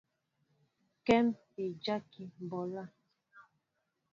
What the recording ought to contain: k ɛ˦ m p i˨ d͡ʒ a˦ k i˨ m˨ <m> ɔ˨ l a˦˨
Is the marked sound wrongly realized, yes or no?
yes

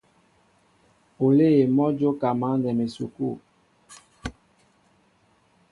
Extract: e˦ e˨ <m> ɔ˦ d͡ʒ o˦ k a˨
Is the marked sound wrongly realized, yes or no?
no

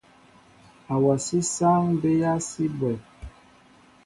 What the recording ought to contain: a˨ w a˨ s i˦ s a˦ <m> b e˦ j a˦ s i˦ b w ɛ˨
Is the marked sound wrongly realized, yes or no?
yes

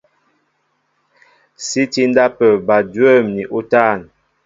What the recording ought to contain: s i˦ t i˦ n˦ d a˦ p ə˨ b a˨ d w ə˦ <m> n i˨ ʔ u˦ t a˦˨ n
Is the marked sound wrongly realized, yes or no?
no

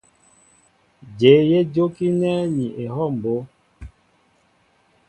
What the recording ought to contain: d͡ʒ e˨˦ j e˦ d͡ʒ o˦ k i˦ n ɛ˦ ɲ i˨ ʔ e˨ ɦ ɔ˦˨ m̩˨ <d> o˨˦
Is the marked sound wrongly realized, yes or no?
yes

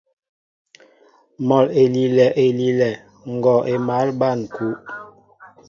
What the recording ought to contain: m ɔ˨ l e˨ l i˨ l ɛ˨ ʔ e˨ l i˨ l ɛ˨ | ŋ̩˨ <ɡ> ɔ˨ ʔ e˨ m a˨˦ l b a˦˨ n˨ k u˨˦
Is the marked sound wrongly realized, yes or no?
no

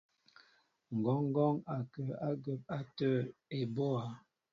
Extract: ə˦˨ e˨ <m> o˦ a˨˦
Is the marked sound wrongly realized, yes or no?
yes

